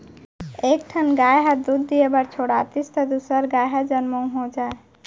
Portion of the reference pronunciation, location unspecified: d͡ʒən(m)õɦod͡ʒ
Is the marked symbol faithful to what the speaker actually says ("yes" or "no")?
yes